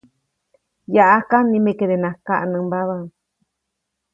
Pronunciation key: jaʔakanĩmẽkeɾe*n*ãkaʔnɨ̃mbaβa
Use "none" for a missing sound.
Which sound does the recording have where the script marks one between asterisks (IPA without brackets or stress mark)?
n